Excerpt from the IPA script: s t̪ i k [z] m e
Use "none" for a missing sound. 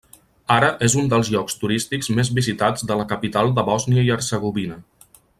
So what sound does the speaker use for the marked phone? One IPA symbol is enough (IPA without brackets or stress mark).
z